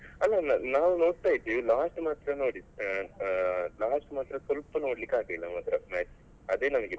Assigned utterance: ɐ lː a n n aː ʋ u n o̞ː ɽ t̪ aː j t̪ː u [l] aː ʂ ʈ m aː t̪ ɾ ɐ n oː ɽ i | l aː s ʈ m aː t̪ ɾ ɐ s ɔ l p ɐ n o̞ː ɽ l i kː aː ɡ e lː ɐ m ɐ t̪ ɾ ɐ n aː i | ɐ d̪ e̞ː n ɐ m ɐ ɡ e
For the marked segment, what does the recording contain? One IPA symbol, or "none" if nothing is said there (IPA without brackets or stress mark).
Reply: l